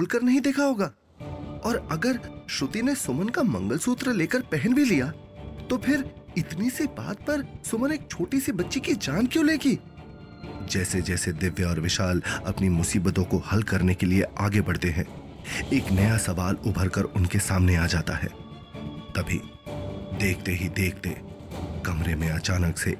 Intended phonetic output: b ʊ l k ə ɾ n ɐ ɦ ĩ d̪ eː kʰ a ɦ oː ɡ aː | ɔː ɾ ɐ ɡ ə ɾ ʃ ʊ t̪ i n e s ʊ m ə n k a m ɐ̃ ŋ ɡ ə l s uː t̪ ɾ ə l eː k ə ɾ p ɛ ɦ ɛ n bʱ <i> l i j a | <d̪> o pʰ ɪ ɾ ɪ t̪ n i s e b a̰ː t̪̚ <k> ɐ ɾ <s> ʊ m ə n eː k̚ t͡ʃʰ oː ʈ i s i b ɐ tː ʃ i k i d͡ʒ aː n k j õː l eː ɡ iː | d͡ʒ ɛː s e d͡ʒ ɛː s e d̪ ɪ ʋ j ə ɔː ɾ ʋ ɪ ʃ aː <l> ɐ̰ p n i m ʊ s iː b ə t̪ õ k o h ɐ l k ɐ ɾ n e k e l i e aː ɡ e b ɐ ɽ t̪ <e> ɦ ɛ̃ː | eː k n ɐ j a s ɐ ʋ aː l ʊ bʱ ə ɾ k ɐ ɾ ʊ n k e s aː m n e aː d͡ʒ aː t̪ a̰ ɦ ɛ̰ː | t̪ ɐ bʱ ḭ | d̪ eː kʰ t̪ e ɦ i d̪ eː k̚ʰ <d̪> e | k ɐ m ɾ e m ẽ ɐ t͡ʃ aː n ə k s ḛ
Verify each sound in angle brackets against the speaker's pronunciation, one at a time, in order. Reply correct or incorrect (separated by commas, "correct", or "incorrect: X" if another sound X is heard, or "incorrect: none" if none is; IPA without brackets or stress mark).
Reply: correct, incorrect: t̪, incorrect: p, correct, correct, correct, incorrect: t̪